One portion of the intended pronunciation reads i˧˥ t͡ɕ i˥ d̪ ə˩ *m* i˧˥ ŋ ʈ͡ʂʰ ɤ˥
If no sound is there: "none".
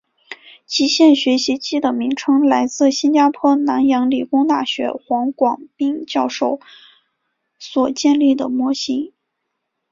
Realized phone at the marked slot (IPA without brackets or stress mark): m